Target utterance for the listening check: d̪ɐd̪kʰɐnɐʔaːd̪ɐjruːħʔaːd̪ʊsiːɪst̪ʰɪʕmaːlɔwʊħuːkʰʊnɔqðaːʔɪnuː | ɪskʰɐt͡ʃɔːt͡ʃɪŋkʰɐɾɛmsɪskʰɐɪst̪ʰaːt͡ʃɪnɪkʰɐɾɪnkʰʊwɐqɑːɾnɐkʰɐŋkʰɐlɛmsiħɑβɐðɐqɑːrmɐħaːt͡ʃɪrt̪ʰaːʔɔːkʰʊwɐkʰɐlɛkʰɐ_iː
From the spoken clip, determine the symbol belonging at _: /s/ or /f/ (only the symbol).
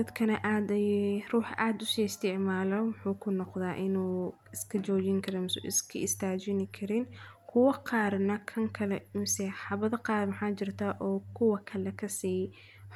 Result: s